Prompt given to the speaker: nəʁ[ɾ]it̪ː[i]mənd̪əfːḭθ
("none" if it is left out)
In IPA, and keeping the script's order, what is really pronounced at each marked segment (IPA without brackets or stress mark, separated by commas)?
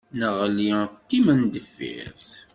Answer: l, i